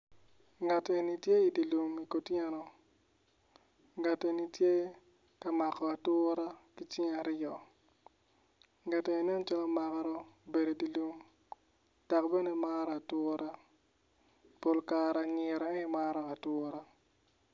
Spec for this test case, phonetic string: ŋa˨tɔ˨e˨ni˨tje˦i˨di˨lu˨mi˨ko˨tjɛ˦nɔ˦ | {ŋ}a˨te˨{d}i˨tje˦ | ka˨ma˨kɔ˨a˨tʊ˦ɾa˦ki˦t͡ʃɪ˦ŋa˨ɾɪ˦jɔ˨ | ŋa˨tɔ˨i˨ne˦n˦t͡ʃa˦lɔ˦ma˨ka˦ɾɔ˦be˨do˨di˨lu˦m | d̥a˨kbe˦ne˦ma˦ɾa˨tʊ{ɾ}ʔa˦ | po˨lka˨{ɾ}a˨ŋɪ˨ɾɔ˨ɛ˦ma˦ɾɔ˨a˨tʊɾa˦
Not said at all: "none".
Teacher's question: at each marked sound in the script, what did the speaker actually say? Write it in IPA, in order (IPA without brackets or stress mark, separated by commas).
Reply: ŋ, n, ɾ, ɾ